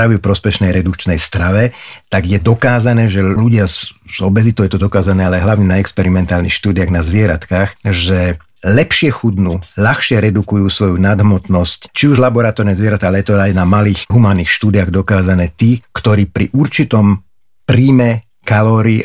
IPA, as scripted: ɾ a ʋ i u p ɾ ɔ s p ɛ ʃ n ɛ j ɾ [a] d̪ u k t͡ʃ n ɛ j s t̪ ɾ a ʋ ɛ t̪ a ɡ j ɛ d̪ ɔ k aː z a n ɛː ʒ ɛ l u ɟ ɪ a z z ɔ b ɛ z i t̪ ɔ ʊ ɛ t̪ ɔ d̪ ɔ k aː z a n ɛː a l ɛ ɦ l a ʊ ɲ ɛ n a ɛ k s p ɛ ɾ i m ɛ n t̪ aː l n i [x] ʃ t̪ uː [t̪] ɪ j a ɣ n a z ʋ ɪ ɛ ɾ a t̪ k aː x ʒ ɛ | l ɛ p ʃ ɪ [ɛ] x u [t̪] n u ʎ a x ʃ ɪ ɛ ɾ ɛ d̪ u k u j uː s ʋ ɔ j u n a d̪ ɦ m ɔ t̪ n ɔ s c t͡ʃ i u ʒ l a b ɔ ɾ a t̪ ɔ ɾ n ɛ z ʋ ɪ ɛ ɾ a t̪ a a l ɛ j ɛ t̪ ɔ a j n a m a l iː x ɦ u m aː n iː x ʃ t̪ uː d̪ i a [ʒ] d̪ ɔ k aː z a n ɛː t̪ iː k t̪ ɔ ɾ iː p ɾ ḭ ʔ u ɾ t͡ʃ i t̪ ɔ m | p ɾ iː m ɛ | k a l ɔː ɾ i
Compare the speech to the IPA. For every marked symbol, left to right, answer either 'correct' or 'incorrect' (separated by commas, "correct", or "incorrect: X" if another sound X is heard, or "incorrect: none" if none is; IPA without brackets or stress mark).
incorrect: ɛ, correct, incorrect: d̪, correct, incorrect: d̪, incorrect: ɣ